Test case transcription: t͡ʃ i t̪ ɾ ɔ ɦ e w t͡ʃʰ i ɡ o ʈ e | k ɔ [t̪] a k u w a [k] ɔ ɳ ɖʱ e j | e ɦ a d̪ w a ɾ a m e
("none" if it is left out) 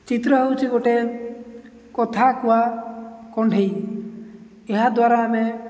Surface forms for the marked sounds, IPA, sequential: t̪ʰ, k

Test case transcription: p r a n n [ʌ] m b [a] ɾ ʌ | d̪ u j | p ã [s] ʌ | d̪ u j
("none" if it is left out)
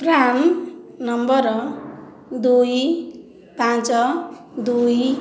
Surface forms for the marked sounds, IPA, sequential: ʌ, ʌ, t͡s

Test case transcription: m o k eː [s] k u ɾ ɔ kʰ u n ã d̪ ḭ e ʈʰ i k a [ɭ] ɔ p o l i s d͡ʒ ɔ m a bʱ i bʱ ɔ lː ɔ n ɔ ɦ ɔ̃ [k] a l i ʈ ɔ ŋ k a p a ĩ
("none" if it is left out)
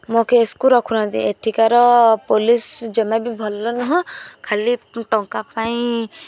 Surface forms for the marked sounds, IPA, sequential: s, ɾ, kʰ

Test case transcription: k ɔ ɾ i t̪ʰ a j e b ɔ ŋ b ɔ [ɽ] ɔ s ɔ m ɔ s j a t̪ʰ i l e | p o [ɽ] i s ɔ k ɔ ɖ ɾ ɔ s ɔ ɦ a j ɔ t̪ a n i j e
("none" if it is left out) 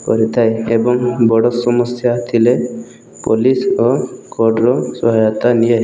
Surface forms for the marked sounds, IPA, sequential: ɽ, l

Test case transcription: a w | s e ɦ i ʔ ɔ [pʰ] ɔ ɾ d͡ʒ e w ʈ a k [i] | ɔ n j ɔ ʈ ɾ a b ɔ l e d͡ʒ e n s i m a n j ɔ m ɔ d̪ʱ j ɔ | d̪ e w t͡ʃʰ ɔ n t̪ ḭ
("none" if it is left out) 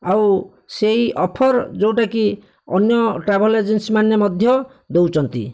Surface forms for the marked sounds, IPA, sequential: pʰ, i

